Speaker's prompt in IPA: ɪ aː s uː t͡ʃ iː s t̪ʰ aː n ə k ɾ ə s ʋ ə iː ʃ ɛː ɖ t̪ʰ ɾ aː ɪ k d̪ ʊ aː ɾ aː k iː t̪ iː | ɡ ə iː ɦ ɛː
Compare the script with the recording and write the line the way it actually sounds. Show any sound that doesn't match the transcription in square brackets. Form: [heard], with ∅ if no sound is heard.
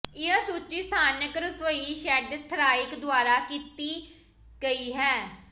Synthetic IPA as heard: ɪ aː s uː t͡ʃ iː s t̪ʰ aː n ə k ɾ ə s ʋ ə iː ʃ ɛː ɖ t̪ʰ ɾ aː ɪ k d̪ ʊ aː ɾ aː k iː t̪ iː | ɡ ə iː ɦ ɛː